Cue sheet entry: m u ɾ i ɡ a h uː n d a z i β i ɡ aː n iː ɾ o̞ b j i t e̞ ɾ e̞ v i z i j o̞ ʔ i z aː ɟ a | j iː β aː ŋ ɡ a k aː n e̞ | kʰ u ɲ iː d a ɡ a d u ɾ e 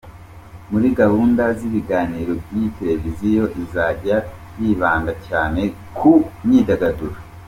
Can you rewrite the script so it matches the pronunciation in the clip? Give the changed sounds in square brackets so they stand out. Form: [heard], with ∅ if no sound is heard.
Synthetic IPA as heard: m u ɾ i ɡ a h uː n d a z i β i ɡ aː n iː ɾ o̞ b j i t e̞ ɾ e̞ v i z i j o̞ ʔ i z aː ɟ a | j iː β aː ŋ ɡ a [c] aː n e̞ | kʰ u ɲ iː d a ɡ a d u ɾ [a]